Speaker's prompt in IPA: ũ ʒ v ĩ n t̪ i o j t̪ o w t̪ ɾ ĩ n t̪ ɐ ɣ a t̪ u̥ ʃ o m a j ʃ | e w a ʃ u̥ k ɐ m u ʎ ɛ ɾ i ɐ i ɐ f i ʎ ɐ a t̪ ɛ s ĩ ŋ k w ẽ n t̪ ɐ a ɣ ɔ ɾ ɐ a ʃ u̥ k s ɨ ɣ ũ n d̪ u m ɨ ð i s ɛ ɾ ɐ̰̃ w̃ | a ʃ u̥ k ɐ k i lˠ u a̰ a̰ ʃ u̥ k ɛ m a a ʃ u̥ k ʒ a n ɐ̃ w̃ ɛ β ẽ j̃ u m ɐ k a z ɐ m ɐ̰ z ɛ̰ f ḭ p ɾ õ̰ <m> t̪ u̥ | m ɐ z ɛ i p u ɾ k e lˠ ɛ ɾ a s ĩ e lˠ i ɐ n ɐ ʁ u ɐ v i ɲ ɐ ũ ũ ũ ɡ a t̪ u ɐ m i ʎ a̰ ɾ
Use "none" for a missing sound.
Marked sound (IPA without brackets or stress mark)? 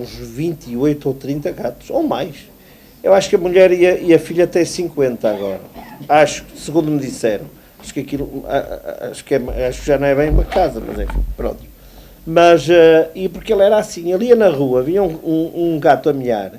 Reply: n